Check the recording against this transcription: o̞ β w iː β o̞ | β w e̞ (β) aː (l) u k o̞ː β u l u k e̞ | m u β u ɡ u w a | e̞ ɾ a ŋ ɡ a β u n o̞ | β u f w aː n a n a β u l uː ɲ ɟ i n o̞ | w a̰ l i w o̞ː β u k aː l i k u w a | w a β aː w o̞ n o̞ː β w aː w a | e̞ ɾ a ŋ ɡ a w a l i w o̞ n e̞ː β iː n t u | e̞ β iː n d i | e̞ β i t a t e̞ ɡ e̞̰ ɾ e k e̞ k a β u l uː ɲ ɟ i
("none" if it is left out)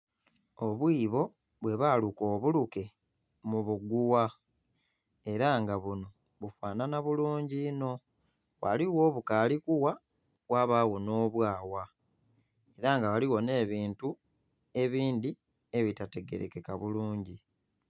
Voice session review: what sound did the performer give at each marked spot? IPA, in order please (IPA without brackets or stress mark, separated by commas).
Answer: β, l